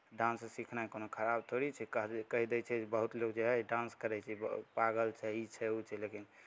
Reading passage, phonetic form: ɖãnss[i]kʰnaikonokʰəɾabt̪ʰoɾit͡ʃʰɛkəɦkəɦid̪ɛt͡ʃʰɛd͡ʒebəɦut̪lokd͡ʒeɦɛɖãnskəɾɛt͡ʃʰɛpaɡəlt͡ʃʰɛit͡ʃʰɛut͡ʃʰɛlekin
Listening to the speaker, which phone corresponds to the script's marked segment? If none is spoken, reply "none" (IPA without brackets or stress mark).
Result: i